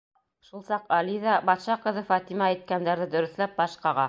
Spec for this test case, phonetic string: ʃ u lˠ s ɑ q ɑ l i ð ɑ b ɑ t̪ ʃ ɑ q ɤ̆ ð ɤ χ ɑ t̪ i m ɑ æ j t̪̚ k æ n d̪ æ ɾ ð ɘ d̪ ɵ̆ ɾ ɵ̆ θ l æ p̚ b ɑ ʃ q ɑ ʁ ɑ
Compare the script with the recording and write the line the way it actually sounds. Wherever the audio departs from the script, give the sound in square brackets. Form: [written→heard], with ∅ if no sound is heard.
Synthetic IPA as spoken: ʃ u lˠ s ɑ q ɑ l i ð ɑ b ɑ t̪ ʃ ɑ q ɤ̆ ð ɤ [χ→f] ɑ t̪ i m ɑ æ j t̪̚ k æ n d̪ æ ɾ ð ɘ d̪ ɵ̆ ɾ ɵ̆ θ l æ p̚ b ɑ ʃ q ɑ ʁ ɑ

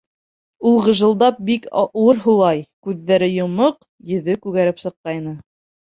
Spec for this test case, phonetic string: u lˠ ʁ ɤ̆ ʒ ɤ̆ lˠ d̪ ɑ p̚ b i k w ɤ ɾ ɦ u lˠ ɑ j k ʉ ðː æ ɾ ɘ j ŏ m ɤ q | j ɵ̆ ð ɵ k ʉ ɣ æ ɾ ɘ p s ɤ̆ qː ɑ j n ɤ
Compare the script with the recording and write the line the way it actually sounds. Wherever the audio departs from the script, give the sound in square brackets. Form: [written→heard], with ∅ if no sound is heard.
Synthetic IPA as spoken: u lˠ ʁ ɤ̆ ʒ ɤ̆ lˠ d̪ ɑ p̚ b i k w ɤ ɾ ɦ u lˠ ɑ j k ʉ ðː æ ɾ ɘ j ŏ m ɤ q | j ɵ̆ ð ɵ k ʉ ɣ æ ɾ ɘ p s ɤ̆ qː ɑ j n ɤ

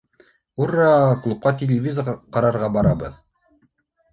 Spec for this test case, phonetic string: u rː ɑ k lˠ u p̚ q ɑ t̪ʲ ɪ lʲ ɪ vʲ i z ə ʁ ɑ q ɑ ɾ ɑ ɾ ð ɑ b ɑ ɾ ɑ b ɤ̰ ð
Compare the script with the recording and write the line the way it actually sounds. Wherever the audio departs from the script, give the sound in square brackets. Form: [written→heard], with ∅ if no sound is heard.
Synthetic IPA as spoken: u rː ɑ k lˠ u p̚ q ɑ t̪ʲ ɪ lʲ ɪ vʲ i z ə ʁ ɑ q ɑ ɾ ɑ ɾ [ð→ʁ] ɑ b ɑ ɾ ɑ b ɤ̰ ð

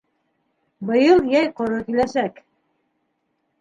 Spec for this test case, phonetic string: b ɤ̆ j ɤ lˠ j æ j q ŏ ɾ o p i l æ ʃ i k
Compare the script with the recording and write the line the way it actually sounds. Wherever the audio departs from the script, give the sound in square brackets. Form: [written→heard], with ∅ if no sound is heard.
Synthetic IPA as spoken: b ɤ̆ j ɤ lˠ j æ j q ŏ ɾ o [p→k] i l æ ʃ [i→æ] k

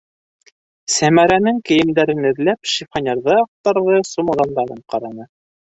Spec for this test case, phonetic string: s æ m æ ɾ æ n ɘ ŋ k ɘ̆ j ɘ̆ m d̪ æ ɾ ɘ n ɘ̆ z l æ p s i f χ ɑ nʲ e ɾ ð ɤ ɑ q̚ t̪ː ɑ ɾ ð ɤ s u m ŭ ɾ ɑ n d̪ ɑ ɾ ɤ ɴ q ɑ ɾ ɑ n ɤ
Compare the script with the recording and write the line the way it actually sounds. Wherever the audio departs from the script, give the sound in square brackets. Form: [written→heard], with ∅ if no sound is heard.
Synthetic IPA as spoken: s æ m æ ɾ æ n ɘ ŋ k ɘ̆ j ɘ̆ m d̪ æ ɾ ɘ n ɘ̆ [z→ð] l æ p [s→ʃ] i f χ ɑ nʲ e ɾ ð ɤ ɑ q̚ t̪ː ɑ ɾ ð ɤ s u m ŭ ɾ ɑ n d̪ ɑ ɾ ɤ ɴ q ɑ ɾ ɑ n ɤ

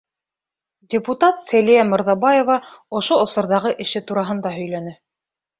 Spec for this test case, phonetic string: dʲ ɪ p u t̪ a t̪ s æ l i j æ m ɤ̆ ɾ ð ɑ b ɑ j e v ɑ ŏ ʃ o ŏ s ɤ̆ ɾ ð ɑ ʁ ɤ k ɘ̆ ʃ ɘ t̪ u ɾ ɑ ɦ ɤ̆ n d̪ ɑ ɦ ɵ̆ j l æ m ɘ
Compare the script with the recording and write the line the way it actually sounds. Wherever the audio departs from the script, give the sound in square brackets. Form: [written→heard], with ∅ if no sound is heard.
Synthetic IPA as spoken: dʲ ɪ p u t̪ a t̪ s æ l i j æ m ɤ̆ ɾ ð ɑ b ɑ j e v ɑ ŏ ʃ o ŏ s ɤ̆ ɾ ð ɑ ʁ ɤ [k→ʔ] ɘ̆ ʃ ɘ t̪ u ɾ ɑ ɦ ɤ̆ n d̪ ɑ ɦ ɵ̆ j l æ [m→n] ɘ

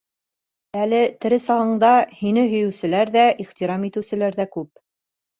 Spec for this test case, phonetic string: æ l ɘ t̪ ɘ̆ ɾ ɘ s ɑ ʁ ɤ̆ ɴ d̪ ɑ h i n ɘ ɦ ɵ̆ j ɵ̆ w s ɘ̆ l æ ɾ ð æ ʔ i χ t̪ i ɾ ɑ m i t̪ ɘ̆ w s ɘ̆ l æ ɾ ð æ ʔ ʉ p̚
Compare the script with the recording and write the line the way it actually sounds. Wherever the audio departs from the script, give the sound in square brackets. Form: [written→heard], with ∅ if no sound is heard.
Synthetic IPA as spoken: æ l ɘ t̪ ɘ̆ ɾ ɘ s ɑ ʁ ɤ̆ ɴ d̪ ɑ h i n ɘ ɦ ɵ̆ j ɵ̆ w s ɘ̆ l æ ɾ ð æ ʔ i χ t̪ i ɾ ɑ m i t̪ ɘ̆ w s ɘ̆ l æ ɾ ð æ [ʔ→k] ʉ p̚

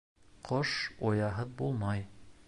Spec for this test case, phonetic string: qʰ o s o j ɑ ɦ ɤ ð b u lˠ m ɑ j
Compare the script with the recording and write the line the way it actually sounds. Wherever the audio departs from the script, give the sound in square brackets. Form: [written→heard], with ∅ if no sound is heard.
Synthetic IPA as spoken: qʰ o [s→ʃ] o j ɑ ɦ ɤ ð b u lˠ m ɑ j

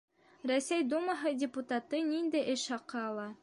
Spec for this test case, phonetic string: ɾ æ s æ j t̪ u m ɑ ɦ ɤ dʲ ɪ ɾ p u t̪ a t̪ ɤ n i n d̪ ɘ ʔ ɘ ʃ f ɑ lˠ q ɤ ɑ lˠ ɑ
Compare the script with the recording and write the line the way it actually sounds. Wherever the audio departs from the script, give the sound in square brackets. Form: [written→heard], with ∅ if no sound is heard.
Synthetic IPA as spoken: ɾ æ s æ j [t̪→d̪] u m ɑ ɦ ɤ dʲ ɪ [ɾ→∅] p u t̪ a t̪ ɤ n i n d̪ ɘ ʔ ɘ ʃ [f→h] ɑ [lˠ→∅] q ɤ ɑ lˠ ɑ

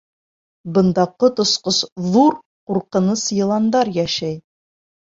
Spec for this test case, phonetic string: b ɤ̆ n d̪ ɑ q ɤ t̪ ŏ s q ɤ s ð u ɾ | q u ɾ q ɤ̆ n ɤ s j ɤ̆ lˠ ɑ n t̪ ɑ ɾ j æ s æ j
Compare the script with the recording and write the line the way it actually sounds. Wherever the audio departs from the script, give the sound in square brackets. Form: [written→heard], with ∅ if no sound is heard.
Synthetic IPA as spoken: b ɤ̆ n d̪ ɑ q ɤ t̪ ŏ s q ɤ s ð u ɾ | q u ɾ q ɤ̆ n ɤ s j ɤ̆ lˠ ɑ n [t̪→d̪] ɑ ɾ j æ [s→ʃ] æ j

